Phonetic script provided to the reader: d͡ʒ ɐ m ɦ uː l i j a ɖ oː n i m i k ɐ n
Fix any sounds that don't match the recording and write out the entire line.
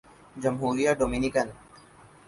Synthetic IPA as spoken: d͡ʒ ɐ m ɦ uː ɾ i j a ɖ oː m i n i k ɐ n